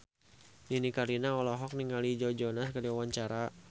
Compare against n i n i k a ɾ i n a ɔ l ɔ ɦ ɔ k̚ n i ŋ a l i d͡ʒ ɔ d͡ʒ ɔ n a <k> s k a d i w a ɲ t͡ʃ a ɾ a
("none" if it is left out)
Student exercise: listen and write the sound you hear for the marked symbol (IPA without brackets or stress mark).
none